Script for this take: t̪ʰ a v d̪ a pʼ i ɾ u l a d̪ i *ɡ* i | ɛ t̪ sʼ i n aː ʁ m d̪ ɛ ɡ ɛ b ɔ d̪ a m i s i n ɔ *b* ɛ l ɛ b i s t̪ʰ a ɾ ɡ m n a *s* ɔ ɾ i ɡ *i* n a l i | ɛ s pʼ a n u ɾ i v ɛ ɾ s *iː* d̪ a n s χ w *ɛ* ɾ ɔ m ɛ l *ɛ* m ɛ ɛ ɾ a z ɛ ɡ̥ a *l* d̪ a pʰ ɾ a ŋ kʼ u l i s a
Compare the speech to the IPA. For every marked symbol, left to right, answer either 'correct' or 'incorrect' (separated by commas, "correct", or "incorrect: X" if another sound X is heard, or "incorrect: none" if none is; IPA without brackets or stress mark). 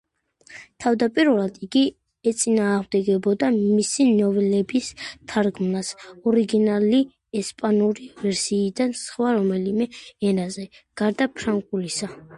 correct, incorrect: v, correct, correct, correct, incorrect: a, incorrect: i, incorrect: ɾ